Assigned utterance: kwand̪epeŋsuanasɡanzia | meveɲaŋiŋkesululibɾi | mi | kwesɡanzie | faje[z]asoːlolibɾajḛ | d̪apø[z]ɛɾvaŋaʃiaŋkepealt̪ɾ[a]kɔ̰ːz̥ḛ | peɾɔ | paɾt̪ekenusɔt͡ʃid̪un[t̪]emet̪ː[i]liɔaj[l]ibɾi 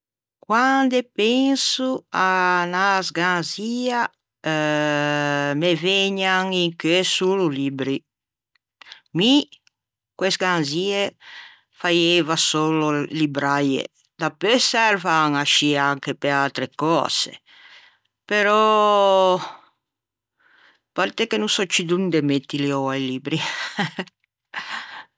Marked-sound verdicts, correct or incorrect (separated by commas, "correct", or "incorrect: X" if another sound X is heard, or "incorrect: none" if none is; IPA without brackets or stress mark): incorrect: v, incorrect: s, incorrect: e, incorrect: d̪, correct, correct